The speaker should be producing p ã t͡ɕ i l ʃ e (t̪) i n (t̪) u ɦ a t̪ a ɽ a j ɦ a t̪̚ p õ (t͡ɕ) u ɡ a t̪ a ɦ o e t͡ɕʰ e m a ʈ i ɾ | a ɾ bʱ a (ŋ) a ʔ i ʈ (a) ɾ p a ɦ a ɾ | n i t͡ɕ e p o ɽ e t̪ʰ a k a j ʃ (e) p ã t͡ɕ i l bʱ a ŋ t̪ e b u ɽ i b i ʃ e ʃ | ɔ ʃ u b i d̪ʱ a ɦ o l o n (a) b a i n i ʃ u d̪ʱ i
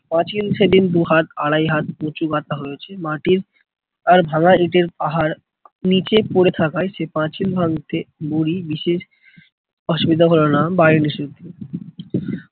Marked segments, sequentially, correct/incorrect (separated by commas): incorrect, incorrect, correct, correct, incorrect, correct, correct